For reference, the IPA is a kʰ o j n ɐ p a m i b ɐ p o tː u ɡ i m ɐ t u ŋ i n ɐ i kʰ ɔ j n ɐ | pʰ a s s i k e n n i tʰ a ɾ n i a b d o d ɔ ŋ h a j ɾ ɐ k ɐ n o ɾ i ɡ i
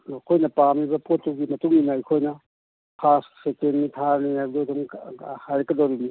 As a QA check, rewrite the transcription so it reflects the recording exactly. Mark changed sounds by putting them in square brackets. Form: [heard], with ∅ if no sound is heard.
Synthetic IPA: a kʰ o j n ɐ p a m i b ɐ p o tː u ɡ i m ɐ t u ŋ i n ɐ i kʰ [o] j n ɐ | pʰ a s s [e] k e n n i tʰ a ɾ n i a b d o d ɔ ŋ h a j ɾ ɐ k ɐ [d] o ɾ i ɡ i